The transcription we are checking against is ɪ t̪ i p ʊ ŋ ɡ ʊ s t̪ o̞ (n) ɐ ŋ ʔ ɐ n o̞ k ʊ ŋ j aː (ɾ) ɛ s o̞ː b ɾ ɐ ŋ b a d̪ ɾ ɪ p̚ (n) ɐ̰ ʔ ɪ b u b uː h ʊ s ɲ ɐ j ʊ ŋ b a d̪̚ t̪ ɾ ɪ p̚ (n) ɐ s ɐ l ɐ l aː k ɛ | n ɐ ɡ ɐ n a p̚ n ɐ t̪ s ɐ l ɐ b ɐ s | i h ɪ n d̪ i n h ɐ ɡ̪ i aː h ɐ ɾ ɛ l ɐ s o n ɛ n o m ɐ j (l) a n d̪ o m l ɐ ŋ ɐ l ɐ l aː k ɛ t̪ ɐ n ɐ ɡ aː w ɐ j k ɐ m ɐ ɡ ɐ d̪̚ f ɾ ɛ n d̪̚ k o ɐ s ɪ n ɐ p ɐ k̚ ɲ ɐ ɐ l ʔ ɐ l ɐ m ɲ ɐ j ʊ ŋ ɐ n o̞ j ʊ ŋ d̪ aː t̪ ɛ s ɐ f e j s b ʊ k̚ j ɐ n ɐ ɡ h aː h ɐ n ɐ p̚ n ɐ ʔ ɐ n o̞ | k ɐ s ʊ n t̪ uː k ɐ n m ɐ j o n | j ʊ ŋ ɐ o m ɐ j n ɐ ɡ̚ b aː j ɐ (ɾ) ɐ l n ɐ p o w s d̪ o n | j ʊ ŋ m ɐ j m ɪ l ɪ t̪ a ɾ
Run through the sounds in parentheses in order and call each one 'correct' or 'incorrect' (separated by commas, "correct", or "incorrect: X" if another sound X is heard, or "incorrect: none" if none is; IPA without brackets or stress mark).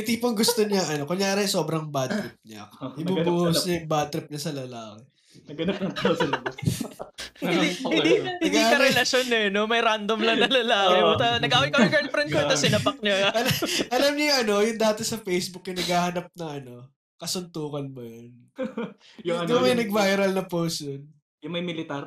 incorrect: ɲ, correct, incorrect: ɲ, incorrect: ɲ, incorrect: ɾ, correct